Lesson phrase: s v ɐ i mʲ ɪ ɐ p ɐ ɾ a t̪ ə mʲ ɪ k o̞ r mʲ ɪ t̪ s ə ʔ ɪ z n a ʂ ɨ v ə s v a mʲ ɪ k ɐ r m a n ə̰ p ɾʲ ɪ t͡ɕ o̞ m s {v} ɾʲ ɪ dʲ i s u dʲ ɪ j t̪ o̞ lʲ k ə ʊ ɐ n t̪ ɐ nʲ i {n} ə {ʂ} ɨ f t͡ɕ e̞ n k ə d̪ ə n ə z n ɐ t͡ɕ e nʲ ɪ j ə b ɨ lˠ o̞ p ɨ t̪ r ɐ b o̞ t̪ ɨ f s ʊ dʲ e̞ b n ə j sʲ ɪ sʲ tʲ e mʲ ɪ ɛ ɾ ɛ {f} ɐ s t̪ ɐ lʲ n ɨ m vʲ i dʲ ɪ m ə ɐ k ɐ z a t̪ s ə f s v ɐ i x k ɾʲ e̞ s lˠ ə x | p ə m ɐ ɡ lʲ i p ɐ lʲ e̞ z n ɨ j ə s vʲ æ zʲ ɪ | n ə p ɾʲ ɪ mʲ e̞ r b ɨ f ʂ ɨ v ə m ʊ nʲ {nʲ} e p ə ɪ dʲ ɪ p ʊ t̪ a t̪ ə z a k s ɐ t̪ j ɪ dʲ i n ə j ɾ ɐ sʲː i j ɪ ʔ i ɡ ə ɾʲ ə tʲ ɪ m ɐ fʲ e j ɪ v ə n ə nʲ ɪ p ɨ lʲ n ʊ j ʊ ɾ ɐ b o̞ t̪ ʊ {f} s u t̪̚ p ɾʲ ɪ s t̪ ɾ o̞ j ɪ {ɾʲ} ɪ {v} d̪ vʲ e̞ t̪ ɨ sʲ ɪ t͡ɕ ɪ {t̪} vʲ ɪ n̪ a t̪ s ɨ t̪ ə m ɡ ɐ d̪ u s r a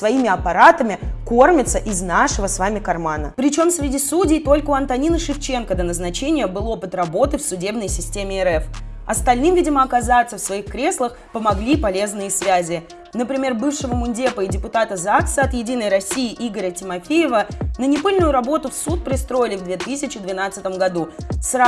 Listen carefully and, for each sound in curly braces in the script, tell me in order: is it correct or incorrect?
correct, correct, correct, correct, incorrect: dʲ, correct, incorrect: lʲ, correct, incorrect: d̪

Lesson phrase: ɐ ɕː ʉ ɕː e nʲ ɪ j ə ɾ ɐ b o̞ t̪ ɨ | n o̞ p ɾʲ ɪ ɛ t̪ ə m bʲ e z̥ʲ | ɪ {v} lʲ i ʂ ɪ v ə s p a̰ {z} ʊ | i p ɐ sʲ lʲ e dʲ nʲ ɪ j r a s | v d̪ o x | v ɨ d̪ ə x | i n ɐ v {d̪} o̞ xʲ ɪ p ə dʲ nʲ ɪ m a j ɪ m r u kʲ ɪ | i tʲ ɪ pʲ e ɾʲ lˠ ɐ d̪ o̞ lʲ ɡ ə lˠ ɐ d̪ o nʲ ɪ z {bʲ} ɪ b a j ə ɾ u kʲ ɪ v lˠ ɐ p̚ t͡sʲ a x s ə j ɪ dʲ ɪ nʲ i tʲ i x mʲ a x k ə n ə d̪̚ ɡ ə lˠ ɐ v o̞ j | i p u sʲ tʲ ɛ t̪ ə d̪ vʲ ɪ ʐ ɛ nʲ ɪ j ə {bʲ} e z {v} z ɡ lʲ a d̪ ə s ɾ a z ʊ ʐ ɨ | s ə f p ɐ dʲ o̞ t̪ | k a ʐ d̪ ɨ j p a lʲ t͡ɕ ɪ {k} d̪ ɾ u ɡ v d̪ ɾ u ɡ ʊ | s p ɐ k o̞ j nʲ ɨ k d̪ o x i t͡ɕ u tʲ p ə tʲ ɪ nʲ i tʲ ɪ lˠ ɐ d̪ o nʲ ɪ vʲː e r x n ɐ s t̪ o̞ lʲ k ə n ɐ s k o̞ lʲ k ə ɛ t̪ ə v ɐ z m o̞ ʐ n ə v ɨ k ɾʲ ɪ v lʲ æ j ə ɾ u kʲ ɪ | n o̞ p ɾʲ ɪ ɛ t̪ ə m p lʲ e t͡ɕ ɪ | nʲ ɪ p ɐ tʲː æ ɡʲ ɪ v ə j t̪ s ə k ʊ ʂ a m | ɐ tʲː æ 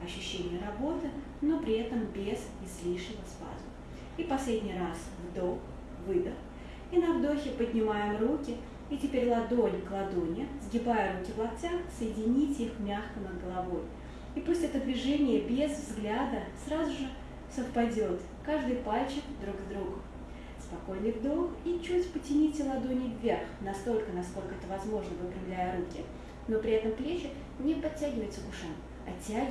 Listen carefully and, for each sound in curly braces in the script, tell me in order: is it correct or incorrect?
incorrect: z, correct, correct, incorrect: ɡʲ, correct, correct, correct

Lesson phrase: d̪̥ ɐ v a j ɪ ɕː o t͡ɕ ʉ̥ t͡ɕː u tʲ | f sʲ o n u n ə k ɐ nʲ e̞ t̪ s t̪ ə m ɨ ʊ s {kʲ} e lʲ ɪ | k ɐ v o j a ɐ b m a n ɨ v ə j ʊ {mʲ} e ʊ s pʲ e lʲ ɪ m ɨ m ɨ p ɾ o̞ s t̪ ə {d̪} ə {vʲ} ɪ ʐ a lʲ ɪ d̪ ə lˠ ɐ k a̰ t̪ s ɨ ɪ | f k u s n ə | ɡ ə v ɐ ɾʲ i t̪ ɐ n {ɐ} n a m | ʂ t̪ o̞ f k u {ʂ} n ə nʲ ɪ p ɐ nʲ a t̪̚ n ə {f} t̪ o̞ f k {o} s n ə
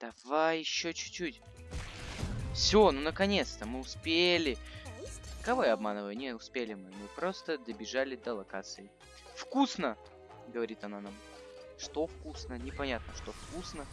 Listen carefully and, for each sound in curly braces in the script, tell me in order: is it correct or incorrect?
incorrect: pʲ, incorrect: nʲ, correct, incorrect: bʲ, incorrect: a, incorrect: s, incorrect: ʂ, incorrect: u

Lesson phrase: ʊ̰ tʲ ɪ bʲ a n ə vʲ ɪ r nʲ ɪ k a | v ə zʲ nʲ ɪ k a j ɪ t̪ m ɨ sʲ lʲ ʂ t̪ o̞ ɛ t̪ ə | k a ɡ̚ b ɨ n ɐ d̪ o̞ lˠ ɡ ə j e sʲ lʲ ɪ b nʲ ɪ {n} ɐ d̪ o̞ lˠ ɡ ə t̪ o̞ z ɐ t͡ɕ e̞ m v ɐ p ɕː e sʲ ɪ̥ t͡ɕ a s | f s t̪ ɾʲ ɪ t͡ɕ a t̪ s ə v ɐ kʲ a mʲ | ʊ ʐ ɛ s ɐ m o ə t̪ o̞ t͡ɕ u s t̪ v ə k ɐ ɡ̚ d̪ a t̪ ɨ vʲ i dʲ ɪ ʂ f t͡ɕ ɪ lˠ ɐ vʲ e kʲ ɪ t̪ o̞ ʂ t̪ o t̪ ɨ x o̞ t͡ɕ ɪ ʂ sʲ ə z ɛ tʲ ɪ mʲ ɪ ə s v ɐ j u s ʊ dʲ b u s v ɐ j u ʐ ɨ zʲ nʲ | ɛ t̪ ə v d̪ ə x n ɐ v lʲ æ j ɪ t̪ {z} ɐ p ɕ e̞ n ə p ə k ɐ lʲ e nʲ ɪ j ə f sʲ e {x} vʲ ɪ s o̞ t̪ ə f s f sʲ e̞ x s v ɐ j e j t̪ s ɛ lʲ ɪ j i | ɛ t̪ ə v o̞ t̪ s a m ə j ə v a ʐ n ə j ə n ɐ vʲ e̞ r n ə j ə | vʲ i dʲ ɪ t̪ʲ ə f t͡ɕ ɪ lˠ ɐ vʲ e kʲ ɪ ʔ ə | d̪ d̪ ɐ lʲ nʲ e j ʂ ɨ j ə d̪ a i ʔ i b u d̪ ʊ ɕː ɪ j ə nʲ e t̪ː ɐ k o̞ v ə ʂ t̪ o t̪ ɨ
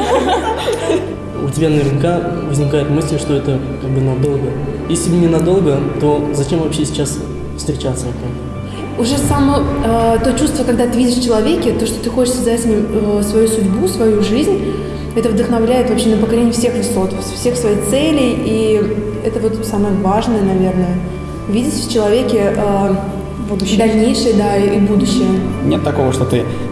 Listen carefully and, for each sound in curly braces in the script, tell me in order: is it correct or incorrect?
correct, incorrect: v, correct

